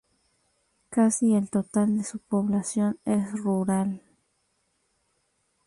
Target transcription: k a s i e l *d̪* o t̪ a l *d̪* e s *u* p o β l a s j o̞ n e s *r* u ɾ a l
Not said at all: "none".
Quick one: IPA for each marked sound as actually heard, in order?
t̪, d̪, u, r

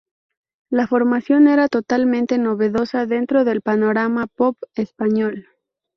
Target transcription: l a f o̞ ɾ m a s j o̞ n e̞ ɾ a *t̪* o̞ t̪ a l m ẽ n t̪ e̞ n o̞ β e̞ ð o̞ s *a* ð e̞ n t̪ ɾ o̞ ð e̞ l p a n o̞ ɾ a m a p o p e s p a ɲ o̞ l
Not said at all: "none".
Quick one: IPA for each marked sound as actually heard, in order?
t̪, a

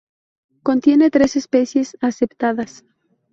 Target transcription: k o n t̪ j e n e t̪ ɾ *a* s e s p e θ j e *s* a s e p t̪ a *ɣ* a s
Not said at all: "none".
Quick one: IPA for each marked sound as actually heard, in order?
e, s, ð

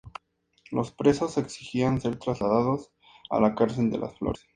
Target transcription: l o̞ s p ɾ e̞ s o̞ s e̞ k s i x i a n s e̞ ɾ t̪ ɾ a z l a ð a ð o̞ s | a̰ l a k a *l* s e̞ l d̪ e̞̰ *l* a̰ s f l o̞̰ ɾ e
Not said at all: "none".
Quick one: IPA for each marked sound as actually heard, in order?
ɾ, l

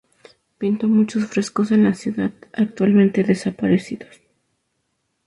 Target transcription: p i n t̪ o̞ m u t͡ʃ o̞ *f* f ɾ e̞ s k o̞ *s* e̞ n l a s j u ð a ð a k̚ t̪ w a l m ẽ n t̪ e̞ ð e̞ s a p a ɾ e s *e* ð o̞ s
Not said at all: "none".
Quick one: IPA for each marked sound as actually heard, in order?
s, s, i

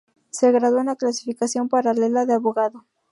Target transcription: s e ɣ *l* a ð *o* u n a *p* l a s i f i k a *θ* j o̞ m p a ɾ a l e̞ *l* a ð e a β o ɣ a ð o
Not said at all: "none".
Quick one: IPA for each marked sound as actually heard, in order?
ɾ, o, k, s, l

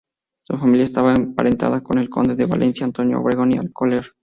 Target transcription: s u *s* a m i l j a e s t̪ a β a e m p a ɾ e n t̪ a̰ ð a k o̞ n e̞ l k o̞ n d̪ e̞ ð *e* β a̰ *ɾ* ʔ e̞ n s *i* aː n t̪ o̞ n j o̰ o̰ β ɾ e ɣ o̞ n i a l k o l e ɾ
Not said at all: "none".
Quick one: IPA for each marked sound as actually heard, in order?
f, e, l, j

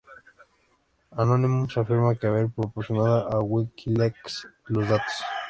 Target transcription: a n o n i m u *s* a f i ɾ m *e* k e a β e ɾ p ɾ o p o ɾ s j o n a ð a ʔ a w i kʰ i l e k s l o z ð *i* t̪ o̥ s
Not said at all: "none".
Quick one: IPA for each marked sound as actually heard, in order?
s, a, a

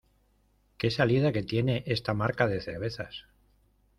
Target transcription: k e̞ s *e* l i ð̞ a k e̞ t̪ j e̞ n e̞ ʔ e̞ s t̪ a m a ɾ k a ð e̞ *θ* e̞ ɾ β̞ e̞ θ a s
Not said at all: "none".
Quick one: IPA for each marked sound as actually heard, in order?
a, θ

